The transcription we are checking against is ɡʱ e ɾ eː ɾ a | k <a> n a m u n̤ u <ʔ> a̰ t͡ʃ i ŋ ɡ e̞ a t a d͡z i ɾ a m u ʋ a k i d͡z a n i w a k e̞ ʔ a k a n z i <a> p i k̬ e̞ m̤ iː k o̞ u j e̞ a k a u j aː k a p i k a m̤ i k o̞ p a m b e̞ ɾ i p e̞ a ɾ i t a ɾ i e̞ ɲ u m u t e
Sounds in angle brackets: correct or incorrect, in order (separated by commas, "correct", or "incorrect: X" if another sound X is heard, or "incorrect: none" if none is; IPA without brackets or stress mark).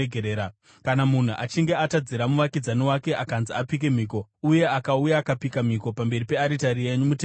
correct, correct, correct